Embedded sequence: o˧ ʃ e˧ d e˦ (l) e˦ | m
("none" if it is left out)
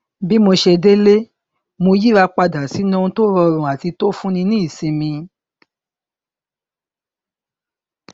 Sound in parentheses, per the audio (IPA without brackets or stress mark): l